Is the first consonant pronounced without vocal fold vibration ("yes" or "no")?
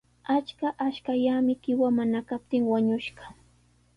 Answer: yes